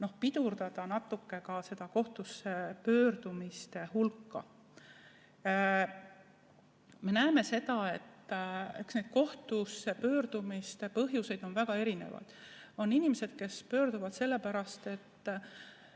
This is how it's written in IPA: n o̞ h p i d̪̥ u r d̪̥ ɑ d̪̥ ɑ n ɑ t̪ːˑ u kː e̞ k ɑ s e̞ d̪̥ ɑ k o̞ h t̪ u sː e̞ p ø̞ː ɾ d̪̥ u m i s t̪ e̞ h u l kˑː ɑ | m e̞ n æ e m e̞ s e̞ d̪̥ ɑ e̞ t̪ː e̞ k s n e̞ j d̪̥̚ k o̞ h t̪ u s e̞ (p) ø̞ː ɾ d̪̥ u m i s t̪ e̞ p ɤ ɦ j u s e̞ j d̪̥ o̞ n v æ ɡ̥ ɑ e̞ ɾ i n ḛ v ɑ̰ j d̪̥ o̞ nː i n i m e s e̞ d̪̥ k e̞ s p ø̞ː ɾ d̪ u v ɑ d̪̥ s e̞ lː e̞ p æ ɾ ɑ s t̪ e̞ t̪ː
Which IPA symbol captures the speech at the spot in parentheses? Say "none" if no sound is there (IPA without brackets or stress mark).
p